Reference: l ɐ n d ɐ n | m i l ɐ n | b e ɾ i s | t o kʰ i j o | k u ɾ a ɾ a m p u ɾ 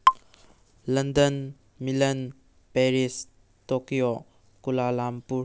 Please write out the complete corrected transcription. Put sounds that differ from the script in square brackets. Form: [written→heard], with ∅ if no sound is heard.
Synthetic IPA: l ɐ n d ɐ n | m i l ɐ n | [b→p] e ɾ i s | t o [kʰ→k] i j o | k u [ɾ→l] a [ɾ→l] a m p u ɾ